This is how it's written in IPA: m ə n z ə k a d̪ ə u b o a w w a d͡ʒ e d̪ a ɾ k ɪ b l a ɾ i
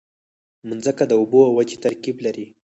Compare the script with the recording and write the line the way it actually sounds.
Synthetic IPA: m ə n z ə k a d̪ ə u b o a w w a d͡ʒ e t̪ a ɾ k i b l a ɾ i